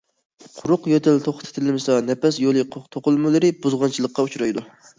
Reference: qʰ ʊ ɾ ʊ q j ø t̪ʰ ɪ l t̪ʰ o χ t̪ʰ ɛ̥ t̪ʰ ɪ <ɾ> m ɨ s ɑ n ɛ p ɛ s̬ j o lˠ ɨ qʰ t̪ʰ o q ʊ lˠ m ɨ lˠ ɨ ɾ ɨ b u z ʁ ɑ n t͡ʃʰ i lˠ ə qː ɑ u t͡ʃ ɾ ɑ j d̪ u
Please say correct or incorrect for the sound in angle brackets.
incorrect: l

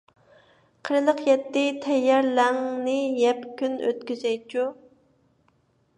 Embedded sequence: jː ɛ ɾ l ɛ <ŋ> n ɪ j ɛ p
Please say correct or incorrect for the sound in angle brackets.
correct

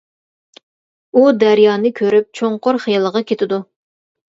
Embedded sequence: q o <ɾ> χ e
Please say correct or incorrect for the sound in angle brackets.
correct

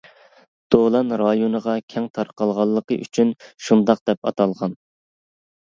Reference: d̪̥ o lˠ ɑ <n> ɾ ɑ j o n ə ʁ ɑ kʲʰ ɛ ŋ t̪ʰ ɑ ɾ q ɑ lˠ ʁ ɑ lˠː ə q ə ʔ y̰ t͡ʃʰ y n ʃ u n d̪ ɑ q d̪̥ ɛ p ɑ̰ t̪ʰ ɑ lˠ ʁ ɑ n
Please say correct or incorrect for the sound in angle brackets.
correct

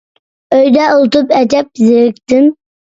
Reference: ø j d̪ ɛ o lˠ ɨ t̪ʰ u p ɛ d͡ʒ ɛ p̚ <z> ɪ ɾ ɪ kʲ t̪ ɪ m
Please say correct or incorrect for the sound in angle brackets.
correct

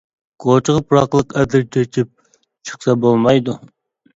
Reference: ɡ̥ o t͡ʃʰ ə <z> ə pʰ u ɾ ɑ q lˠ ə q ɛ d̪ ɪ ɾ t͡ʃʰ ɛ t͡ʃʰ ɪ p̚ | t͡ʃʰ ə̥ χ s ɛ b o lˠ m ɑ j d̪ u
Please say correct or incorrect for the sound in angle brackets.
incorrect: ʁ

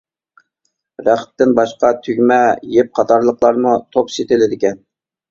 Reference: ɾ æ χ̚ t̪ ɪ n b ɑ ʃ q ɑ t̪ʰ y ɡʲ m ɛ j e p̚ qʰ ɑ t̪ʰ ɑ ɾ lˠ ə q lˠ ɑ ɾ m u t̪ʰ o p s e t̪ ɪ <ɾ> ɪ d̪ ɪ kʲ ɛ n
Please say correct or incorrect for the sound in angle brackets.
incorrect: l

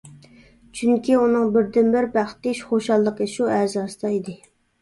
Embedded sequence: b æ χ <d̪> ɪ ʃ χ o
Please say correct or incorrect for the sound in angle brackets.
incorrect: t̪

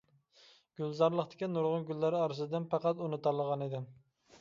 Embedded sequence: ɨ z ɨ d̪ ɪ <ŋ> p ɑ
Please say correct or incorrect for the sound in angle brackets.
incorrect: n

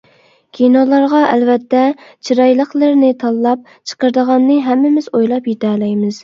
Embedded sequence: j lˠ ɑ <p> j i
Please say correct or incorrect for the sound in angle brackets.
correct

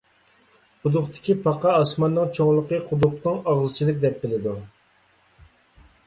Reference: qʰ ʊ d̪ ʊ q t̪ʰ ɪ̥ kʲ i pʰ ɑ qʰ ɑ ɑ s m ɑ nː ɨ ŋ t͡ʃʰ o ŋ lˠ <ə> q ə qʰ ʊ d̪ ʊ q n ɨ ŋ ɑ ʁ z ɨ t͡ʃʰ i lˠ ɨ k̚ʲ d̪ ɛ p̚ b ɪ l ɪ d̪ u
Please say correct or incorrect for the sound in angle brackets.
correct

